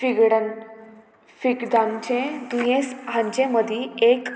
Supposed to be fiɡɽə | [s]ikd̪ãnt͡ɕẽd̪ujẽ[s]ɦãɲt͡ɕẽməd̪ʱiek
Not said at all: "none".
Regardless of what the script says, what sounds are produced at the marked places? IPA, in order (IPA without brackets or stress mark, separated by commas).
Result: f, s